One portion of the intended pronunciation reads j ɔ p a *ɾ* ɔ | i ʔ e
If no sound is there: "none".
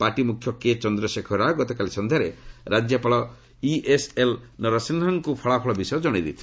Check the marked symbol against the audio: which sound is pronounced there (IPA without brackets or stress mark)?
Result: ɭ